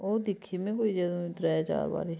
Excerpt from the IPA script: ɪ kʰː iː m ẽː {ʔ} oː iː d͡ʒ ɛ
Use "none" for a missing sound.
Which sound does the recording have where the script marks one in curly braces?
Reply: k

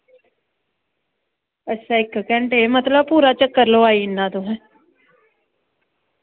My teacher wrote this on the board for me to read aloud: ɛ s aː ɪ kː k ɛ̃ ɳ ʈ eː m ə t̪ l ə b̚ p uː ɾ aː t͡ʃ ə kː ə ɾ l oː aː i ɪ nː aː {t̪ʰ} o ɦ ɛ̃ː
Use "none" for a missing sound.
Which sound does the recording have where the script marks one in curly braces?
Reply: t̪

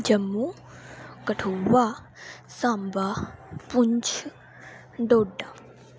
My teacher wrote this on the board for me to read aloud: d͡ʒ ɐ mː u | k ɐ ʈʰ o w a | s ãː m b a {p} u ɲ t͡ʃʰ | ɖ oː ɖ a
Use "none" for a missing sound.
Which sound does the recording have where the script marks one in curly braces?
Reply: p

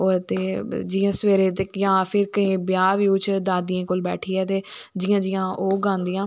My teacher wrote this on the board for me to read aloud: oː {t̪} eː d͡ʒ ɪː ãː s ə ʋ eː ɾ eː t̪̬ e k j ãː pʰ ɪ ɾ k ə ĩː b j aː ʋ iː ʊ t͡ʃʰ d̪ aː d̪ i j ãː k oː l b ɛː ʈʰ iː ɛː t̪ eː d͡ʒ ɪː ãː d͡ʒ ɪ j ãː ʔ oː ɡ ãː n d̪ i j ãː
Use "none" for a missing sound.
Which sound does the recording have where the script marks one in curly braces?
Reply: t̪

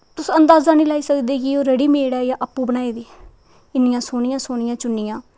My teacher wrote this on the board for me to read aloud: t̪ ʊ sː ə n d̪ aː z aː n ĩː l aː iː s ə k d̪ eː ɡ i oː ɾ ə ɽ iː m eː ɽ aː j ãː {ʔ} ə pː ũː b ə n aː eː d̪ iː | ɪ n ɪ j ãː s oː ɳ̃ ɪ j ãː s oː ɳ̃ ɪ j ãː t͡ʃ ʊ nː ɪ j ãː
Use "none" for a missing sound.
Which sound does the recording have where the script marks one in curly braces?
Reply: ʔ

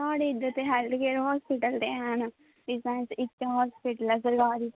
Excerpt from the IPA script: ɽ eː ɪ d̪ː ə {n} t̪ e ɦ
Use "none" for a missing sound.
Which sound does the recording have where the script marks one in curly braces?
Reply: none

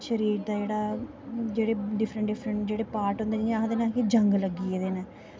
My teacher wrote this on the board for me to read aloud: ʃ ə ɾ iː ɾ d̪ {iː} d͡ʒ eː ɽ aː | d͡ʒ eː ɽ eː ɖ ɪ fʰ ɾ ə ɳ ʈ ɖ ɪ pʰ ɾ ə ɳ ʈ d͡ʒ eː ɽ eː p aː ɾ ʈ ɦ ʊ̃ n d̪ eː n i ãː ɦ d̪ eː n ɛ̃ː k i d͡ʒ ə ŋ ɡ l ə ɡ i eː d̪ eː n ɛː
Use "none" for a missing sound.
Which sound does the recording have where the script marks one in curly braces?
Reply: aː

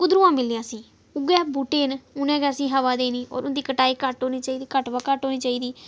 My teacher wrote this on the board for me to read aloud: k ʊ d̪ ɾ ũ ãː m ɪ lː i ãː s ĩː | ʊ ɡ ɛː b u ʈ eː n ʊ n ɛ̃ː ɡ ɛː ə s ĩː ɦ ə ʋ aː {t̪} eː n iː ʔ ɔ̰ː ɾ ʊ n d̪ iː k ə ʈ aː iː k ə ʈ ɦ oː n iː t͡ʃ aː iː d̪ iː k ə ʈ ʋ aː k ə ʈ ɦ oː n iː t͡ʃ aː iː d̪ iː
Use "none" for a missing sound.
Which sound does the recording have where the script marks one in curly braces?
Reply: d̪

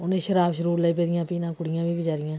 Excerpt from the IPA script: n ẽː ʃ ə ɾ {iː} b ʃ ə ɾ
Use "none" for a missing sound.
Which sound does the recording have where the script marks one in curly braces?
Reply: aː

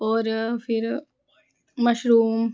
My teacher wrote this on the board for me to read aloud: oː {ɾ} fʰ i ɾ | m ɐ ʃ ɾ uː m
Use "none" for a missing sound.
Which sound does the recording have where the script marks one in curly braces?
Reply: ɾ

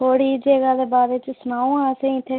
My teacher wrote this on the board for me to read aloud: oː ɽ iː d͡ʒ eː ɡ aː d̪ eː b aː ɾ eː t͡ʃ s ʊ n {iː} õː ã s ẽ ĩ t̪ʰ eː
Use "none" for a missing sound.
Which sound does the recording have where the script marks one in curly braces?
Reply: aː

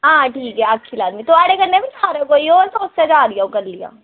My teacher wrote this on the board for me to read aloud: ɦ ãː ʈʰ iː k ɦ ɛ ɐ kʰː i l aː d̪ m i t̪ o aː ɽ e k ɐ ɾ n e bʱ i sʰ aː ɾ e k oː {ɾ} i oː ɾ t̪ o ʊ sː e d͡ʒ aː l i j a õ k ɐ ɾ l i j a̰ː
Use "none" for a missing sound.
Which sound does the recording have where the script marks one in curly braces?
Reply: none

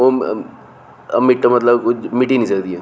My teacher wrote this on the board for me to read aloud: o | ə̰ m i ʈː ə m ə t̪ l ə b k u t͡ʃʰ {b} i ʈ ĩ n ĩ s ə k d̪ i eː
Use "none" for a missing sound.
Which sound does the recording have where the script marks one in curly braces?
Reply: m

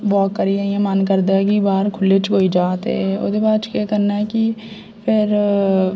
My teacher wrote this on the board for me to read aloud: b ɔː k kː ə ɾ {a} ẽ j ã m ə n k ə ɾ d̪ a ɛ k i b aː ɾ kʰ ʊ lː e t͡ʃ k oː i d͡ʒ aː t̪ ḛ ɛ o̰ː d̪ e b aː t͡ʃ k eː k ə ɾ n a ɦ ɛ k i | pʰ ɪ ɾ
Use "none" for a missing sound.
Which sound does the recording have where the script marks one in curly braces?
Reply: i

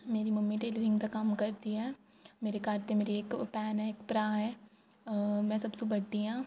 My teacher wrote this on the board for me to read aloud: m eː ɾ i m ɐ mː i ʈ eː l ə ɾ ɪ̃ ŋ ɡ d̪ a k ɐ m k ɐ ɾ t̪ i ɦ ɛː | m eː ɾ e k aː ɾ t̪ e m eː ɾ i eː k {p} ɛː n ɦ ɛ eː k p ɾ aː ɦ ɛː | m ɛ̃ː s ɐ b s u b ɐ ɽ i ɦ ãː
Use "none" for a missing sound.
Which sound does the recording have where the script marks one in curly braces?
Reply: p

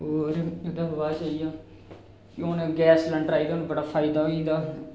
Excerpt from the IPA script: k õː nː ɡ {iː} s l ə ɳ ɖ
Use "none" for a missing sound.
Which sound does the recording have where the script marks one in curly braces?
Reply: ɛː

